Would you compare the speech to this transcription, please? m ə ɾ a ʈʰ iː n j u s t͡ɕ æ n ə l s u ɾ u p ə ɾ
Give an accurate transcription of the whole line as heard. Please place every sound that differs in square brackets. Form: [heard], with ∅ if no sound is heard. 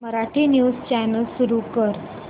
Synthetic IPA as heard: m ə ɾ a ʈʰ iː n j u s t͡ɕ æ n ə l s u ɾ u [k] ə ɾ